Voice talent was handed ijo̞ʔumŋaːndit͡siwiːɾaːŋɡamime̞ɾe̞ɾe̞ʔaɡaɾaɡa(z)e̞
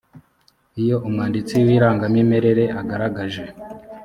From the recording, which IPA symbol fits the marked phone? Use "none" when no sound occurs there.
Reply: ʒ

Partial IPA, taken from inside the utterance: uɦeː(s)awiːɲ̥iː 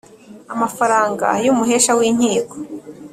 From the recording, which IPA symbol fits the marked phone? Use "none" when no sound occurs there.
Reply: ʃ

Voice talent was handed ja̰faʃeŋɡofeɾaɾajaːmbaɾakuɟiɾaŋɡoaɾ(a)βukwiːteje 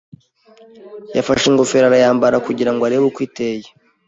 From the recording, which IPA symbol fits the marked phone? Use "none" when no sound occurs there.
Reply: e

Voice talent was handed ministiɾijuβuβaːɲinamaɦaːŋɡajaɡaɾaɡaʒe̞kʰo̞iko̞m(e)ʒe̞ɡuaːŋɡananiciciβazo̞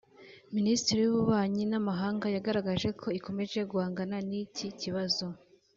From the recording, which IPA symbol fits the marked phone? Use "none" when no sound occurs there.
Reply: e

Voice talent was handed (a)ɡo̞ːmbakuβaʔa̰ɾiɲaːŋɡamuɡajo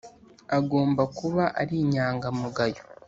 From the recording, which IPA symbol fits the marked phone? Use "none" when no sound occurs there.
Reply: a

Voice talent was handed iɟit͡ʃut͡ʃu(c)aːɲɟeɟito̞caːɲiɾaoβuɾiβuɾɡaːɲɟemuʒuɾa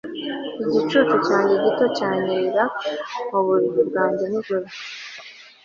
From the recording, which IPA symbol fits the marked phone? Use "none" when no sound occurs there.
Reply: c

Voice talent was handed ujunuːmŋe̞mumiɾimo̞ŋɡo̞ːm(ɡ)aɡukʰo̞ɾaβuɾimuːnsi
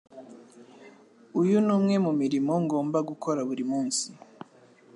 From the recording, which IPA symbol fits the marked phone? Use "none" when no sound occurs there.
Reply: b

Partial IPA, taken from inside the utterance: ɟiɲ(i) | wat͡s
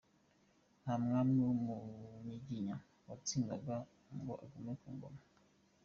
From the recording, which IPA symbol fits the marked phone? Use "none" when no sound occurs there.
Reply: a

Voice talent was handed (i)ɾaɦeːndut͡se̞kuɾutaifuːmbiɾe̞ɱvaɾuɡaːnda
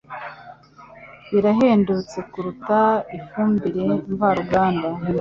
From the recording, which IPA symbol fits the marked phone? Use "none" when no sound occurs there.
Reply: i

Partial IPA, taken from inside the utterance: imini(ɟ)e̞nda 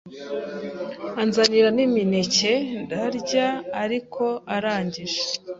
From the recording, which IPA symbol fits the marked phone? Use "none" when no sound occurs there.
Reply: c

